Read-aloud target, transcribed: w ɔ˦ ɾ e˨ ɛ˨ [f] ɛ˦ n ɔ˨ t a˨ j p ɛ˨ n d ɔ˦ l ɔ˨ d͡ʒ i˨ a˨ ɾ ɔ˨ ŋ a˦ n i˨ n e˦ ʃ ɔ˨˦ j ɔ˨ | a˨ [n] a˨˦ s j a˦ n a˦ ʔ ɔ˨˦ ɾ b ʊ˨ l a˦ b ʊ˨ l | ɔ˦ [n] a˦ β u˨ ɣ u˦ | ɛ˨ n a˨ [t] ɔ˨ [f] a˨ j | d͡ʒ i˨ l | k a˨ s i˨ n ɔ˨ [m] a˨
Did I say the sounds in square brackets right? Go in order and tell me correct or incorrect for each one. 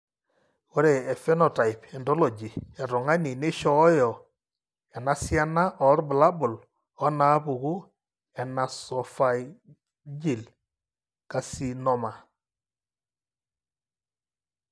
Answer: correct, correct, correct, incorrect: s, correct, correct

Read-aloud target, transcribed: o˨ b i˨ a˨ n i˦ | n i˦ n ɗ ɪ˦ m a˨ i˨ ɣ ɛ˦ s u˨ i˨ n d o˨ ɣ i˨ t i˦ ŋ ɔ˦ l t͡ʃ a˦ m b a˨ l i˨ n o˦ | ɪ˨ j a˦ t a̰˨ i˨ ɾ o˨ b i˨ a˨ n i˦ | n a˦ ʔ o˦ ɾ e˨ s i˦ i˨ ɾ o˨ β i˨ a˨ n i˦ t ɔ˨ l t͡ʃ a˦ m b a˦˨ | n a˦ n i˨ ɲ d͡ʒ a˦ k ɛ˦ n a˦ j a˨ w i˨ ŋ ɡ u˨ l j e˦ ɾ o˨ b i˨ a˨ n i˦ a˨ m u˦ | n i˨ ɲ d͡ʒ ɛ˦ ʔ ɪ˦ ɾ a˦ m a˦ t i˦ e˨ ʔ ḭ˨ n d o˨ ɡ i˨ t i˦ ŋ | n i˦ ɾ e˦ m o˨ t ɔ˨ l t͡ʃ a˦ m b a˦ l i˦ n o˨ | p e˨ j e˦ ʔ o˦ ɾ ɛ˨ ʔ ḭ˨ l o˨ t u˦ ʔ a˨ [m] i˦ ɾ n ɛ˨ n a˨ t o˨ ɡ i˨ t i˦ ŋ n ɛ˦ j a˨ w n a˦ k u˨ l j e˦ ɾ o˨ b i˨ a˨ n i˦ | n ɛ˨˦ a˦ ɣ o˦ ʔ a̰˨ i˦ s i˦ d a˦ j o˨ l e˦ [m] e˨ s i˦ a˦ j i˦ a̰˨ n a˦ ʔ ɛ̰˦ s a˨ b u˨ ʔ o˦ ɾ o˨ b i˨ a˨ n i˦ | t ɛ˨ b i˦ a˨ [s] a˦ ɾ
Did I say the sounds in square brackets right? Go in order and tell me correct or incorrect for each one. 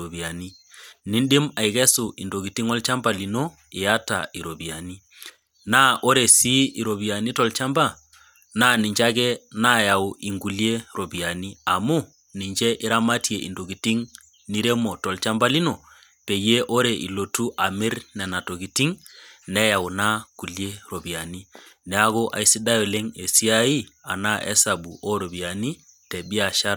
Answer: correct, incorrect: ŋ, incorrect: ʃ

